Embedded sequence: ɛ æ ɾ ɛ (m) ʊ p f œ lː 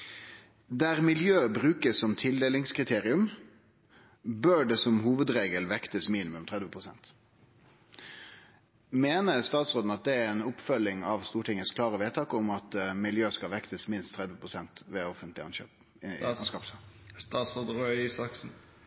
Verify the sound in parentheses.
incorrect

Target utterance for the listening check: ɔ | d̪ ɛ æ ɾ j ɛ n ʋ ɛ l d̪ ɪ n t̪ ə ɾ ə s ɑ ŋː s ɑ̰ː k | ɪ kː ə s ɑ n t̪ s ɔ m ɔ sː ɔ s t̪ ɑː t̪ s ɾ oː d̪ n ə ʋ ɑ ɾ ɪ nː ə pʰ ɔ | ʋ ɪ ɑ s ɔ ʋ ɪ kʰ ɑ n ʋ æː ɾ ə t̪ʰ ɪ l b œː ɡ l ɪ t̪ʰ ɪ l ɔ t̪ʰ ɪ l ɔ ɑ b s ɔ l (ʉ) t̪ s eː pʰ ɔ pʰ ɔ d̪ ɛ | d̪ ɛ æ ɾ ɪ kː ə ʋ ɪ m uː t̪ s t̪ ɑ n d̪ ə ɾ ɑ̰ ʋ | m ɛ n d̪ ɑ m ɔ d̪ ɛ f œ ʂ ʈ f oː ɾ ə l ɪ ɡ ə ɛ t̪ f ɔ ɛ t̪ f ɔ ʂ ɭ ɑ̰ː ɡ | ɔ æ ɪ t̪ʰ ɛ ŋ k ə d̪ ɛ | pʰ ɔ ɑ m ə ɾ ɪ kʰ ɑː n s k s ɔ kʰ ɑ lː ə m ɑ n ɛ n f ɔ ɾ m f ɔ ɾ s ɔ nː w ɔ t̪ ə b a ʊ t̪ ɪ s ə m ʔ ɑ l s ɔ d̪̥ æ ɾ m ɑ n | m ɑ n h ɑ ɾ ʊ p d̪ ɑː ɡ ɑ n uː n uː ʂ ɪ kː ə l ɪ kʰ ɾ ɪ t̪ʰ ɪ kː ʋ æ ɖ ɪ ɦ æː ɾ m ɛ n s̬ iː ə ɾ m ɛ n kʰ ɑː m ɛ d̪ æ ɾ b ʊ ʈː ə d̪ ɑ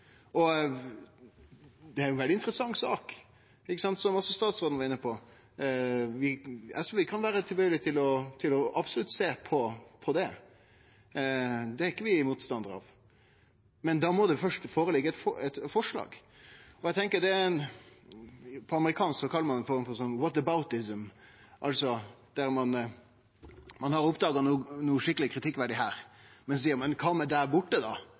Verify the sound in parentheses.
correct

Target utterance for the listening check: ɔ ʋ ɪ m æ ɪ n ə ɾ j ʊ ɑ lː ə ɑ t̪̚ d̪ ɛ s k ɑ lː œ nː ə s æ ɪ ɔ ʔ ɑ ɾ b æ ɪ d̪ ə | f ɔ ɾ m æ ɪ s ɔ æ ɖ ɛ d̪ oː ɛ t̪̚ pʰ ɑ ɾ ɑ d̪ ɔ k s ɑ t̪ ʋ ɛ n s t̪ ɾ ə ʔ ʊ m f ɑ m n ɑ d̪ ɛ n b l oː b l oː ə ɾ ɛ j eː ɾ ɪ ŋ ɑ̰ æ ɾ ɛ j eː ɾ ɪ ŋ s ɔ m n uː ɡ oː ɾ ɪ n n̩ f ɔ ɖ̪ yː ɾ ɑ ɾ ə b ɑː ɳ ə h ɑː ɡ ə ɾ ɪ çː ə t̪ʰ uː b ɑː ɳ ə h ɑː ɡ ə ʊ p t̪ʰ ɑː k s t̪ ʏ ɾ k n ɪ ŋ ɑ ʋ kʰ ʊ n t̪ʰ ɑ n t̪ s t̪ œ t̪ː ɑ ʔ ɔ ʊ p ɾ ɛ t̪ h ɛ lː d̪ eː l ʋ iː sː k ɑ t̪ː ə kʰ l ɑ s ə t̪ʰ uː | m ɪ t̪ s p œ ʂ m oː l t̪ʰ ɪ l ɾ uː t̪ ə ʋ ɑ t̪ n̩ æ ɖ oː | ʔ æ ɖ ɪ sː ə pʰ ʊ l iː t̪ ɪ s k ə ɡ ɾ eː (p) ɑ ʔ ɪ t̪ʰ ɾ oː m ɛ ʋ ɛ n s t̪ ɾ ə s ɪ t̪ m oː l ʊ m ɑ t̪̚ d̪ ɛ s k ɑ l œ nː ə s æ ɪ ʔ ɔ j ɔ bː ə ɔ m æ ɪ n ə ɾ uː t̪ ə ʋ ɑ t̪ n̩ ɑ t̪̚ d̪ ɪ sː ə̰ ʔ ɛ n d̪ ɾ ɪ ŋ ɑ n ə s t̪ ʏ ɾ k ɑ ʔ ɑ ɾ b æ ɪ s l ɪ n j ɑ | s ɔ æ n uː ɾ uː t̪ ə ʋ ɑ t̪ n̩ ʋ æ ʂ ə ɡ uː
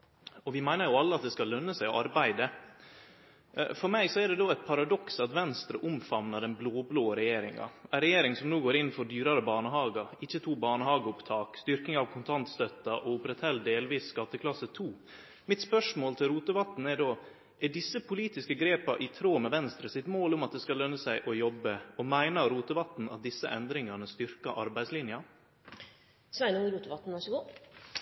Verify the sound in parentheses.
correct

